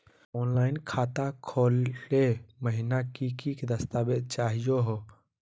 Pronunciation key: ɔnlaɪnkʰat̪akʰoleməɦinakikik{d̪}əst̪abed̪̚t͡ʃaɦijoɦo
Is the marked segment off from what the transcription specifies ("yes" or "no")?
no